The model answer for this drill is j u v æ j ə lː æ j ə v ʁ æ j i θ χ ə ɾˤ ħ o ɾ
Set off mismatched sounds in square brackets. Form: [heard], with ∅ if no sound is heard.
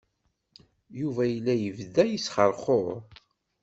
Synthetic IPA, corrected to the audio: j u v æ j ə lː æ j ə v [ð] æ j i [s] χ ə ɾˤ [χ] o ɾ